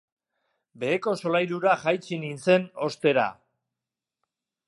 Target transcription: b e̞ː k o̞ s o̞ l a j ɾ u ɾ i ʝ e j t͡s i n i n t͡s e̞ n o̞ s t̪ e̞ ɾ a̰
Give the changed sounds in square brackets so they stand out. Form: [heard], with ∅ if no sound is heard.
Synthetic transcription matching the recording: b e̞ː k o̞ s o̞ l a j ɾ u ɾ [a] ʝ [a] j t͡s i n i n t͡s e̞ n o̞ s t̪ e̞ ɾ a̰